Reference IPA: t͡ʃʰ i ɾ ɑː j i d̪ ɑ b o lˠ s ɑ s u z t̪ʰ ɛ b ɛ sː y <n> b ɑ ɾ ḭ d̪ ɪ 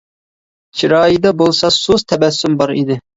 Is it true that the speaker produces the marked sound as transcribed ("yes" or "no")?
no